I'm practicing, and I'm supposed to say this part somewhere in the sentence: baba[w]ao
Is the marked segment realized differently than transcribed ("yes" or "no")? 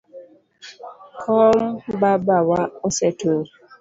no